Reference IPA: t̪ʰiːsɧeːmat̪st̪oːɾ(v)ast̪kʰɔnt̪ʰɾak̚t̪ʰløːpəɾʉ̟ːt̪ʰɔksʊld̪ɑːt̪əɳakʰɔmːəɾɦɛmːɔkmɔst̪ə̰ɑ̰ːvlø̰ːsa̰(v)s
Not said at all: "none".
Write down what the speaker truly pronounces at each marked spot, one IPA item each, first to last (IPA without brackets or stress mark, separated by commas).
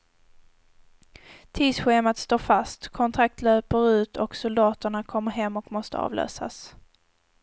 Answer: f, none